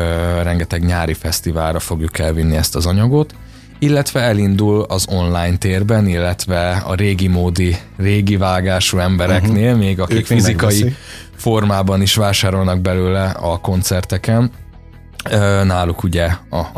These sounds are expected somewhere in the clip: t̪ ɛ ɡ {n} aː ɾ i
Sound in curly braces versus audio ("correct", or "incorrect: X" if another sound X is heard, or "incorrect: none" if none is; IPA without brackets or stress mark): incorrect: ɲ